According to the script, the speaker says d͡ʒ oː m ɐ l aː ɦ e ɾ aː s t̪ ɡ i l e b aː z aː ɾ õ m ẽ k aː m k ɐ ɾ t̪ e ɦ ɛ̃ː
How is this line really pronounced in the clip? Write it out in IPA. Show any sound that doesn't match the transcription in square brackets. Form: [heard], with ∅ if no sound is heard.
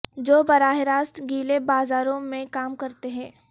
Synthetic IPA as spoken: d͡ʒ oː [b] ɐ [ɾ] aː ɦ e ɾ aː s t̪ ɡ [iː] l e b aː z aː ɾ õ m ẽ k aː m k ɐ ɾ t̪ e ɦ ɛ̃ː